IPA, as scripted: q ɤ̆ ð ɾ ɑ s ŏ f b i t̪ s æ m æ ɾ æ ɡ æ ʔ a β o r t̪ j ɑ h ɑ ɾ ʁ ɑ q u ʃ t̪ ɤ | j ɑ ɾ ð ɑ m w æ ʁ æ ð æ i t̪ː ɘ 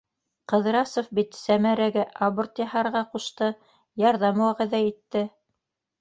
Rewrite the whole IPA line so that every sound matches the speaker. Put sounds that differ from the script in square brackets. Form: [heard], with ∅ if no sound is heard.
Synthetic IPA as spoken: q ɤ̆ ð ɾ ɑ s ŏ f b i t̪ s æ m æ ɾ æ ɡ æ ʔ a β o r t̪ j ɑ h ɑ ɾ ʁ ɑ q u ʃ t̪ ɤ | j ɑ ɾ ð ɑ m w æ ʁ æ ð æ i t̪ː ɘ